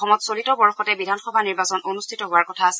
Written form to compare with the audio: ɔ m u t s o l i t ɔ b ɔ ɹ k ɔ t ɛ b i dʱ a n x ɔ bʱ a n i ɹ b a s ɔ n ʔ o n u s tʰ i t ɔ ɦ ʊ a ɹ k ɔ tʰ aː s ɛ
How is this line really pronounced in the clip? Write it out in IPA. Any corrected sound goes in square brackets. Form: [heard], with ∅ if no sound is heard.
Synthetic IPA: ɔ m [ɔ] t s o l i t ɔ b ɔ ɹ [x] ɔ t ɛ b i dʱ a n x ɔ bʱ a n i ɹ b a s ɔ n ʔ o n u s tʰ i t ɔ ɦ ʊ a ɹ k ɔ tʰ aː s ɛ